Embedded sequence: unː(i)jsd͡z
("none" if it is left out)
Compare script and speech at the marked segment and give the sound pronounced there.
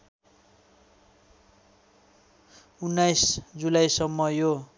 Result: a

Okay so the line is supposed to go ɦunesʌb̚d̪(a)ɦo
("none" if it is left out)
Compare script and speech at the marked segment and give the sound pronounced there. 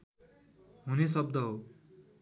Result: ʌ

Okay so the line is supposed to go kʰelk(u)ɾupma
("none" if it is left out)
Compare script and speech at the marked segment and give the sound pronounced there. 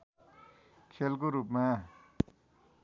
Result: o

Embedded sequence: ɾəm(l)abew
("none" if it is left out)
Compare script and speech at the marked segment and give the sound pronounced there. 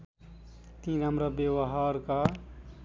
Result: ɾ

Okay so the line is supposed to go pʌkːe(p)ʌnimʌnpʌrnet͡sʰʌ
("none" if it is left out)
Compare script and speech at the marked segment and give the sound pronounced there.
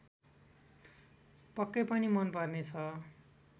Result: p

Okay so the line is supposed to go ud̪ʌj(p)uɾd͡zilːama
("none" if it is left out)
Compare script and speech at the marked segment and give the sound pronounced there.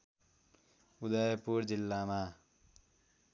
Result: p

